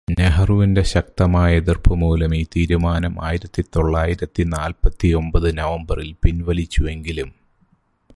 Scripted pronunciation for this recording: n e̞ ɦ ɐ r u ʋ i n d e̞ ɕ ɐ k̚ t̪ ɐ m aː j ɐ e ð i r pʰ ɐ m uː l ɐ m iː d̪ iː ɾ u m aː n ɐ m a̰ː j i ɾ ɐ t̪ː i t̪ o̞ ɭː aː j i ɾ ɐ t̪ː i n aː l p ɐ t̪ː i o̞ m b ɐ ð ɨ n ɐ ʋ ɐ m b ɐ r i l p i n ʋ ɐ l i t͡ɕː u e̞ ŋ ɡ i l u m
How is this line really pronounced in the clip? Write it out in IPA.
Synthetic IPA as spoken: n e̞ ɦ ɐ r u ʋ i n d e̞ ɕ ɐ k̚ t̪ ɐ m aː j ɐ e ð i r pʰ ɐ m uː l ɐ m iː t̪ iː ɾ u m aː n ɐ m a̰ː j i ɾ ɐ t̪ː i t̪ o̞ ɭː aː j i ɾ ɐ t̪ː i n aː l p ɐ t̪ː i o̞ m b ɐ ð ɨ n ɐ ʋ ɐ m b ɐ r i l p i n ʋ ɐ l i t͡ɕː u e̞ ŋ ɡ i l u m